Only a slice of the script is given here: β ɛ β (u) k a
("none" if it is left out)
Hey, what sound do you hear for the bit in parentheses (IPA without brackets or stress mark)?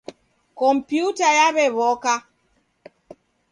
ɔ